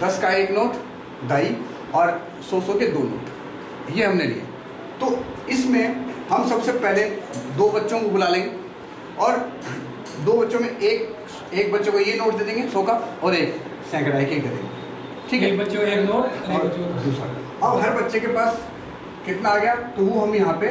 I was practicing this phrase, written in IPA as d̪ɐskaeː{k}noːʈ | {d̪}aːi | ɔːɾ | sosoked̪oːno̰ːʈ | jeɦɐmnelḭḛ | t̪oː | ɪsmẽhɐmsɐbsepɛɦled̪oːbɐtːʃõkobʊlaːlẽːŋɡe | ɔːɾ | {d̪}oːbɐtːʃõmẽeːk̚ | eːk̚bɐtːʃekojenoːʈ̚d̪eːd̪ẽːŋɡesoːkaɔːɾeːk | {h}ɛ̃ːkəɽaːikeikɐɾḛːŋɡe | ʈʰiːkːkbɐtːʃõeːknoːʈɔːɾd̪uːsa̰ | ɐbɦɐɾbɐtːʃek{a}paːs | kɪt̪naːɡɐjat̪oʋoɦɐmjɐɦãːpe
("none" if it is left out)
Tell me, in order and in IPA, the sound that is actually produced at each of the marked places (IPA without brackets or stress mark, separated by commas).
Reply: k, d̪, d̪, s, e